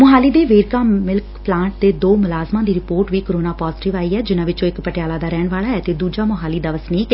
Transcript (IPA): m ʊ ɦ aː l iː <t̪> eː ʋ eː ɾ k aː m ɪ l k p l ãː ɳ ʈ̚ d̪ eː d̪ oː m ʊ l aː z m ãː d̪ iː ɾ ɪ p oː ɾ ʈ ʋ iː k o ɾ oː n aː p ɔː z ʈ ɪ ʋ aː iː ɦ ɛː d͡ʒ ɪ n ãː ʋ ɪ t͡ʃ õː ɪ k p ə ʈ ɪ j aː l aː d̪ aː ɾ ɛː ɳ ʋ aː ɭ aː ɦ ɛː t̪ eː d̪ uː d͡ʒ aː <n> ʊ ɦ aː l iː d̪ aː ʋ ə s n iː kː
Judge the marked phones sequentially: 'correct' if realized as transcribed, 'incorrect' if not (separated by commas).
incorrect, incorrect